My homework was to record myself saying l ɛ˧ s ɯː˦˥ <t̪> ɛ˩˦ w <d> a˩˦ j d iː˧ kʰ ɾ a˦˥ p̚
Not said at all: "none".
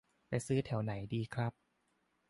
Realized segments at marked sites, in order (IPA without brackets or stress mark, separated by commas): t̪ʰ, n